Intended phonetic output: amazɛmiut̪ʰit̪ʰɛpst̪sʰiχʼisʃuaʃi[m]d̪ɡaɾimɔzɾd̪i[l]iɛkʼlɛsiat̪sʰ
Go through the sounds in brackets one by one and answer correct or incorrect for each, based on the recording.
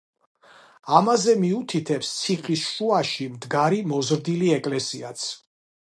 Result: correct, correct

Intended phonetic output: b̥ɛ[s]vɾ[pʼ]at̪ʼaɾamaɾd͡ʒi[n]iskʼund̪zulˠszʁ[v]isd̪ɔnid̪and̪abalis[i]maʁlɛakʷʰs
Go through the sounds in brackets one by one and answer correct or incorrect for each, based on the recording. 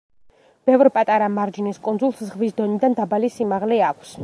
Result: incorrect: none, correct, correct, correct, correct

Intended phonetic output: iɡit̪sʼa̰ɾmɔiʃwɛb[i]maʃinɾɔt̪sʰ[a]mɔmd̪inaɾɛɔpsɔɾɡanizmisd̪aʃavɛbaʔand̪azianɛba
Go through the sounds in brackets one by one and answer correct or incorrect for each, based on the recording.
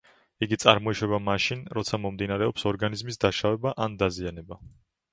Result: incorrect: a, correct

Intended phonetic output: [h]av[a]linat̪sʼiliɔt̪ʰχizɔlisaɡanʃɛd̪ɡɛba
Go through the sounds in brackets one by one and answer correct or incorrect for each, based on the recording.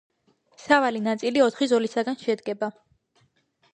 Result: incorrect: s, correct

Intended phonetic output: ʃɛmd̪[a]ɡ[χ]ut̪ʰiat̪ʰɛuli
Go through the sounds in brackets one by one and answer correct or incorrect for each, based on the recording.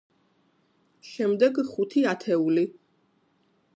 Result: incorrect: ɛ, correct

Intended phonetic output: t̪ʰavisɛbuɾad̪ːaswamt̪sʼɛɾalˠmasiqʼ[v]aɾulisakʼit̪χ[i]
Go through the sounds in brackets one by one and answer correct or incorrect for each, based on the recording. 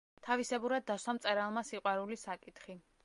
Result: incorrect: w, correct

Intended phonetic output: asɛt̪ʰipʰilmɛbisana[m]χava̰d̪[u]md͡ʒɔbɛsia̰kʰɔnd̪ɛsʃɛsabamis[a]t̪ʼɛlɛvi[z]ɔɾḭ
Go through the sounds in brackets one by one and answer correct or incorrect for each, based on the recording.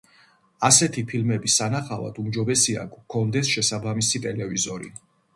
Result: incorrect: none, correct, incorrect: i, correct

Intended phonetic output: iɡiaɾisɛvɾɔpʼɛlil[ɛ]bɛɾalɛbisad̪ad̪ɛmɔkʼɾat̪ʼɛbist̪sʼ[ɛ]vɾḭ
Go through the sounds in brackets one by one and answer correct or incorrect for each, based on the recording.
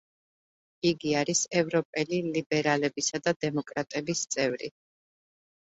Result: incorrect: i, correct

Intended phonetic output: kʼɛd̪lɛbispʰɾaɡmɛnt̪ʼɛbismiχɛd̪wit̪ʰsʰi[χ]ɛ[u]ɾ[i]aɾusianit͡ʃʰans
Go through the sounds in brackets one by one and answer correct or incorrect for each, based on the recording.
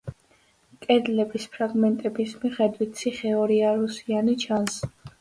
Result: correct, incorrect: ɔ, correct

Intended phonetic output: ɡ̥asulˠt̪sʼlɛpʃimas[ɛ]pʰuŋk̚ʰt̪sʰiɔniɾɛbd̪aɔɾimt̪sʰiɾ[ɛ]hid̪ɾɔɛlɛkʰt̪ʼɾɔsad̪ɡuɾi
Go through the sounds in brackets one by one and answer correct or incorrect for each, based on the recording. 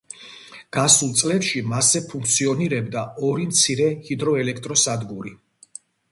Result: correct, correct

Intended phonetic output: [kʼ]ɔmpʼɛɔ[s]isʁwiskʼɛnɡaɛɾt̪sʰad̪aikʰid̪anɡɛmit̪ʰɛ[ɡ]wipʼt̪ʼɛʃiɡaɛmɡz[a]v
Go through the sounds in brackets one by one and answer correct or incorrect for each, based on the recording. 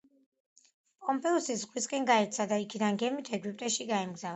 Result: incorrect: pʼ, correct, correct, correct

